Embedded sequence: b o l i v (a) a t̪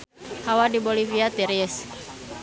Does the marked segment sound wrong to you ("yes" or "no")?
yes